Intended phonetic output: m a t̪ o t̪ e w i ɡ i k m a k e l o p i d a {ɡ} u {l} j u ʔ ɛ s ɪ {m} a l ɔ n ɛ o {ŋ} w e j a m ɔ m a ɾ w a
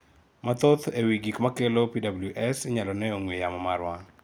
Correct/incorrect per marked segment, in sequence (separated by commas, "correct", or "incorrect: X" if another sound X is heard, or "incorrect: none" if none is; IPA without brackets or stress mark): incorrect: b, correct, incorrect: ɲ, correct